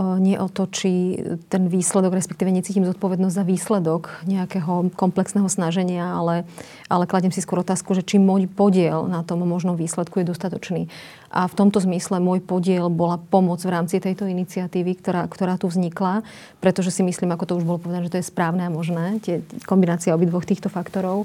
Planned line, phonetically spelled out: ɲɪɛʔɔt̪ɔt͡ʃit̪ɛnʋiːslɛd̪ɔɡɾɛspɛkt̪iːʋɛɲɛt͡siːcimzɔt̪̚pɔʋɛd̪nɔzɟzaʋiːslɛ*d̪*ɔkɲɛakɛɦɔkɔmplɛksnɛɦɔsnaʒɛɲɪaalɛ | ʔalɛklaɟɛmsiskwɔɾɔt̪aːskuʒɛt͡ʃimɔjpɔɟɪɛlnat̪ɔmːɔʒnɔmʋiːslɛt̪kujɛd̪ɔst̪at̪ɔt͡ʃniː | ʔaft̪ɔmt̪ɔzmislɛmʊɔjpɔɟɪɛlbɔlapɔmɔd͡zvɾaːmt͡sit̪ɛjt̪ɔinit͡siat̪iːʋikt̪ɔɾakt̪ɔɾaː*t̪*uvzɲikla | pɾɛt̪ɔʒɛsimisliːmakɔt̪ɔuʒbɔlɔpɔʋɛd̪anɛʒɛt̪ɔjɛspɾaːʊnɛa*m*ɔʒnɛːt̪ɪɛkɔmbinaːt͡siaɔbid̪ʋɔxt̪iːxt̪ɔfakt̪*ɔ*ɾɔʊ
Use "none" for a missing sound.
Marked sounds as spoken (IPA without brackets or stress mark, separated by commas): d̪, t̪, m, ɔ